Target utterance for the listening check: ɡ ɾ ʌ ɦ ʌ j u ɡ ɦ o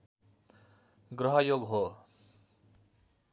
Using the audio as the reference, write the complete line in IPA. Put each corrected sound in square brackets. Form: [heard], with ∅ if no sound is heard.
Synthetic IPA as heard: ɡ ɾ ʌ ɦ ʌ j [o] ɡ ɦ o